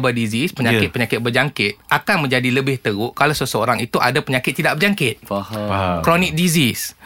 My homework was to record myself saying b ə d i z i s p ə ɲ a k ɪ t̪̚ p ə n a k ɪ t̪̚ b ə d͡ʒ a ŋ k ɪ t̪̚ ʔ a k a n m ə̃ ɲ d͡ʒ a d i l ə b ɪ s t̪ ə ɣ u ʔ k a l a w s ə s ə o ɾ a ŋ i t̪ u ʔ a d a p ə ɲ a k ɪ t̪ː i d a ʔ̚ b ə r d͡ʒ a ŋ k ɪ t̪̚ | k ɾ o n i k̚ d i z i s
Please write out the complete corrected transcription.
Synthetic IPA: b ə d i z i s p ə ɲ a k ɪ t̪̚ p ə ɲ a k ɪ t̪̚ b ə d͡ʒ a ŋ k ɪ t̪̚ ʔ a k a n m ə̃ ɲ d͡ʒ a d i l ə b ɪ h t̪ ə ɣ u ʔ k a l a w s ə s ə o ɾ a ŋ i t̪ u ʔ a d a p ə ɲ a k ɪ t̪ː i d a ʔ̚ b ə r d͡ʒ a ŋ k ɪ t̪̚ | k ɾ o n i k̚ d i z i s